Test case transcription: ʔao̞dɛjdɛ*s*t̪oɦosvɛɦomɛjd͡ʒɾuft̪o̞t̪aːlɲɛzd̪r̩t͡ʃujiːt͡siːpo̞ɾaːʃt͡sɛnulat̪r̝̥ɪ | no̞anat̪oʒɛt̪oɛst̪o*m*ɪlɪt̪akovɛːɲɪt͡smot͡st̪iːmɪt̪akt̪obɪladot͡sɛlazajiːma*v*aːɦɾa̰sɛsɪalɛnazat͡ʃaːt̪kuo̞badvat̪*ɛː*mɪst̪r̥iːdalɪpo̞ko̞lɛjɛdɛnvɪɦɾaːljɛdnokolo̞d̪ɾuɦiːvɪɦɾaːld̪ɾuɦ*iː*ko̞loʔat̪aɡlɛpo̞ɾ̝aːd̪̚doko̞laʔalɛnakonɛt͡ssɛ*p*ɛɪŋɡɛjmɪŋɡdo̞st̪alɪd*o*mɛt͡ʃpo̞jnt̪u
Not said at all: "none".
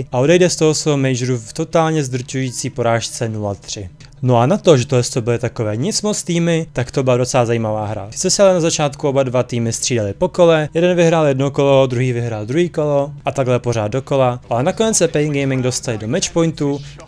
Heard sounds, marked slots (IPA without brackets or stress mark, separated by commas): s, b, v, iː, iː, p, o